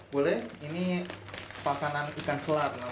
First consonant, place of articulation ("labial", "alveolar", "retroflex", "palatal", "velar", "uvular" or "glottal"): labial